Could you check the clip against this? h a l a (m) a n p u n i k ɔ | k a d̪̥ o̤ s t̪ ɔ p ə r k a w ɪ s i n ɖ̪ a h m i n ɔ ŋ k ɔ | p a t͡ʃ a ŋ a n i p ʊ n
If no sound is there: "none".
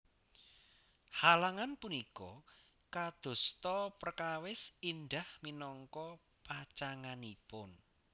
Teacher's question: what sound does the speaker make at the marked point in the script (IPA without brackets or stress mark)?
ŋ